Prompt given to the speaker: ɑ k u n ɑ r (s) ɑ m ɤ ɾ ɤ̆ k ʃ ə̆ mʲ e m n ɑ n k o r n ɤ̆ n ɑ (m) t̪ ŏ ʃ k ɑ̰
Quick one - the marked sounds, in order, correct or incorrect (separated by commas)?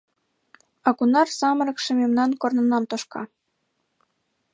correct, correct